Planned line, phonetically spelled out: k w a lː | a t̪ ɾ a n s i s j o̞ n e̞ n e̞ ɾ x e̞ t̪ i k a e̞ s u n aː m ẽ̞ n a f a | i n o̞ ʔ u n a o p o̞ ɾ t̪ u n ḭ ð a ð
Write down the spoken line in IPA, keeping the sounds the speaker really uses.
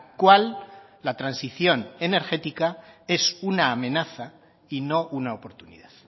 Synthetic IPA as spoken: k w a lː | a t̪ ɾ a n s i θ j o̞ n e̞ n e̞ ɾ x e̞ t̪ i k a e̞ s u n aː m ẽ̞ n a θ a | i n o̞ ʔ u n a o p o̞ ɾ t̪ u n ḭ ð a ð